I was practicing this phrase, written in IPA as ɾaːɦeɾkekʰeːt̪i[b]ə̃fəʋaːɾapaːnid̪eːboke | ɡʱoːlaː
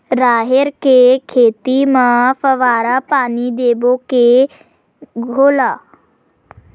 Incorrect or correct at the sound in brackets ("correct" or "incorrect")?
incorrect